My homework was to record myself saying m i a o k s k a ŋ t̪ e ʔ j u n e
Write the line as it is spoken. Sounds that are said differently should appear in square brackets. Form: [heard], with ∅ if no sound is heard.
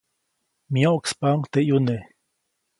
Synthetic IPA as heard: m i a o k s [p] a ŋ t̪ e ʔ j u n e